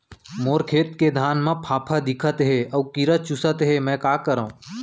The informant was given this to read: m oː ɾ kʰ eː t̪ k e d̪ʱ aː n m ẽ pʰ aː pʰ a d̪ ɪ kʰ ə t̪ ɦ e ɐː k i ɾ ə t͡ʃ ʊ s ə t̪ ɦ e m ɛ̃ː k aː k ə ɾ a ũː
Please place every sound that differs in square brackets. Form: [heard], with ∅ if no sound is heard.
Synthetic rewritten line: m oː ɾ kʰ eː t̪ k e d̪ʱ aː n m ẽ pʰ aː pʰ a d̪ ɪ kʰ ə t̪ ɦ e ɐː k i ɾ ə t͡ʃ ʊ s ə t̪ ɦ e m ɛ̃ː k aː k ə ɾ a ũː